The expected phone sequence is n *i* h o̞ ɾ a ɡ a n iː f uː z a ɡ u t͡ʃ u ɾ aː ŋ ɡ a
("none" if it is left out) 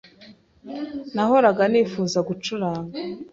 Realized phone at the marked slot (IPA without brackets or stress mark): a